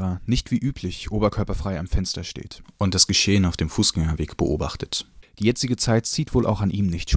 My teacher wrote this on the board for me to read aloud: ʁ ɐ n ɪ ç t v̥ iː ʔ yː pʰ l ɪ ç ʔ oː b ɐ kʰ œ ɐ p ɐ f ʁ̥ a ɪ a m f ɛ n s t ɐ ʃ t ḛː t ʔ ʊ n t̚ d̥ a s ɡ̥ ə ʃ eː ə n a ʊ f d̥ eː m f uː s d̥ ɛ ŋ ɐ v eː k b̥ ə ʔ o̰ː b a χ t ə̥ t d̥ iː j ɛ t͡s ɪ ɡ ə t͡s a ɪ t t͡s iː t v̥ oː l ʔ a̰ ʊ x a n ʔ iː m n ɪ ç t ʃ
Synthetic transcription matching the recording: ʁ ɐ n ɪ ç t v̥ iː ʔ yː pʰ l ɪ ç ʔ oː b ɐ kʰ œ ɐ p ɐ f ʁ̥ a ɪ a m f ɛ n s t ɐ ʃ t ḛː t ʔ ʊ n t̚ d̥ a s ɡ̥ ə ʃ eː ə n a ʊ f d̥ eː m f uː s ɡ̥ ɛ ŋ ɐ v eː k b̥ ə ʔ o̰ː b a χ t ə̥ t d̥ iː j ɛ t͡s ɪ ɡ ə t͡s a ɪ t t͡s iː t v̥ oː l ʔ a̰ ʊ x a n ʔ iː m n ɪ ç t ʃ